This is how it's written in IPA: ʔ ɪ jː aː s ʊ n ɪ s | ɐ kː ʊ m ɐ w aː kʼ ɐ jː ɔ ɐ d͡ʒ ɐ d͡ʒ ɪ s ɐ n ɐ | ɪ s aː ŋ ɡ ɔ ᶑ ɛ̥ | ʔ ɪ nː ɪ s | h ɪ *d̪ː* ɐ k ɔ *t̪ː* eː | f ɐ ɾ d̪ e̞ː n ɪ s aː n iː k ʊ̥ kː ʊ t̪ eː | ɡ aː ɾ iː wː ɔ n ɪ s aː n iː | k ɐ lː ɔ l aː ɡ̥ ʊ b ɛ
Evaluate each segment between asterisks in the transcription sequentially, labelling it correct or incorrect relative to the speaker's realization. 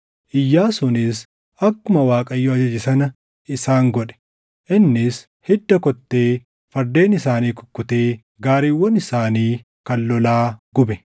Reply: correct, correct

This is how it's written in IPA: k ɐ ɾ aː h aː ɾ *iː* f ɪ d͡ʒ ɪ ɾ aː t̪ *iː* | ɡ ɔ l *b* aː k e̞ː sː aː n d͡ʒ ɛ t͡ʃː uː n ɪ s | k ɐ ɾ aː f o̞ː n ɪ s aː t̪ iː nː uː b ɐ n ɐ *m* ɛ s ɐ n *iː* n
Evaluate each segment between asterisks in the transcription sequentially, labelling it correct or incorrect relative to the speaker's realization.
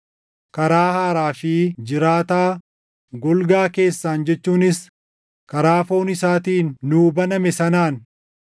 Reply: incorrect: aː, incorrect: aː, incorrect: ɡ, correct, incorrect: aː

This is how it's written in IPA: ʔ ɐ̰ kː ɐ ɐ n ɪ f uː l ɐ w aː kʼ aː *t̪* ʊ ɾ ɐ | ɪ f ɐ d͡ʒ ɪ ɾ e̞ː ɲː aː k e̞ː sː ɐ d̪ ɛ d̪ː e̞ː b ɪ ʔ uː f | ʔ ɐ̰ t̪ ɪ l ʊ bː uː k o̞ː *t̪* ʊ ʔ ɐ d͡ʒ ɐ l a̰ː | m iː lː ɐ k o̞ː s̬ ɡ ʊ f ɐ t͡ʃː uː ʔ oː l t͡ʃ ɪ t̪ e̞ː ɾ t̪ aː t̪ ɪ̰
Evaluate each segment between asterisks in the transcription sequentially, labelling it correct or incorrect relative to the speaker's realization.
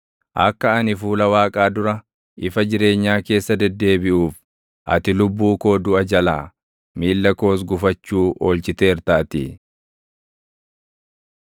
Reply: incorrect: d̪, incorrect: d̪

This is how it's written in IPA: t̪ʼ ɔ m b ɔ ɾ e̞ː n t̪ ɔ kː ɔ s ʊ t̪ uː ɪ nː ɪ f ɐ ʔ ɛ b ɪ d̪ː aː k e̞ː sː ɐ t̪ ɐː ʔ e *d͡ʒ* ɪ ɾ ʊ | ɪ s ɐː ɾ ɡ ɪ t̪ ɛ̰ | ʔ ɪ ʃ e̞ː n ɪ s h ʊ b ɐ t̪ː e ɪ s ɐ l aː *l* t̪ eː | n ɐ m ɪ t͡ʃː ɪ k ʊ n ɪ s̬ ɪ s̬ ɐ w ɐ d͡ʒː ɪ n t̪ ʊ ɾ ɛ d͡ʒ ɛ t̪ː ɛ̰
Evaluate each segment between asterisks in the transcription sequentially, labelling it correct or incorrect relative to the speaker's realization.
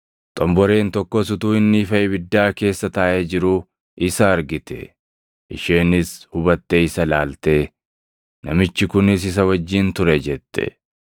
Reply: correct, correct

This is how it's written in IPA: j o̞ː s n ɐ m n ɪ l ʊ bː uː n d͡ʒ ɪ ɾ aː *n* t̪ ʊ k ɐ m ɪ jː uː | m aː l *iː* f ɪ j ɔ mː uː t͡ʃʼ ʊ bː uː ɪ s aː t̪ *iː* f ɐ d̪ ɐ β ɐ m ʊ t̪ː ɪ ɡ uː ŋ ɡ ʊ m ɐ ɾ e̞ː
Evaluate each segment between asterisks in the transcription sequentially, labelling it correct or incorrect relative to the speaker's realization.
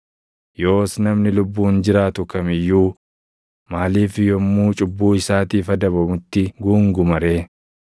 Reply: incorrect: none, correct, correct

